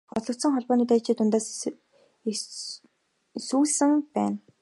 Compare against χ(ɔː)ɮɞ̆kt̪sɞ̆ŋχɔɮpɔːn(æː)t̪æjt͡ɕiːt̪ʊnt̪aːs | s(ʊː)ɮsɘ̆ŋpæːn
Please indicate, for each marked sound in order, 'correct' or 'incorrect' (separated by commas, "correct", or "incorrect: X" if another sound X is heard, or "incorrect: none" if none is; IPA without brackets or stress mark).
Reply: incorrect: ɔ, incorrect: iː, incorrect: uː